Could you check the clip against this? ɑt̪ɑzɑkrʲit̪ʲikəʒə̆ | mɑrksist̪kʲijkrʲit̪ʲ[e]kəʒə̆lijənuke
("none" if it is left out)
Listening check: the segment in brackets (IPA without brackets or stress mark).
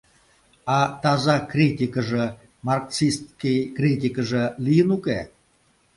i